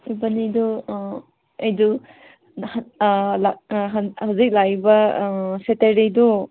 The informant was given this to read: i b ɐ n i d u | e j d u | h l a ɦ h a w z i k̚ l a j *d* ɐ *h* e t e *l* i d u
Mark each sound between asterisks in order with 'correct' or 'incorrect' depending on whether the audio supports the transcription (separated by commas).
incorrect, incorrect, incorrect